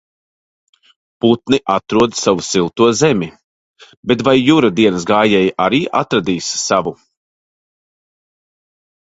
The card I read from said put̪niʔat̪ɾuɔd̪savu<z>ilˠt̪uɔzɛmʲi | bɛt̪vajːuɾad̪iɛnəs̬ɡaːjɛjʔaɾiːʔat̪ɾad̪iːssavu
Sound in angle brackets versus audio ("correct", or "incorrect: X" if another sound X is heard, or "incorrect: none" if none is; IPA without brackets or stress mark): incorrect: s